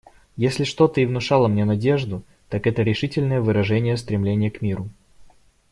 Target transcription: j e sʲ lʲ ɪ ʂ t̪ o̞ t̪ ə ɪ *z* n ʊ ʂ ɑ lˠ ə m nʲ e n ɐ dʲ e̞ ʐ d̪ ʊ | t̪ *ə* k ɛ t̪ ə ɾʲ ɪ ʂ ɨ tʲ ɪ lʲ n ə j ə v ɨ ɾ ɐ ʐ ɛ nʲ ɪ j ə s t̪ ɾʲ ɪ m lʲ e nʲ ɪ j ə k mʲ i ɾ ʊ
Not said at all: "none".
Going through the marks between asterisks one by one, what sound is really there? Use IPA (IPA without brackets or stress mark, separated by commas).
v, a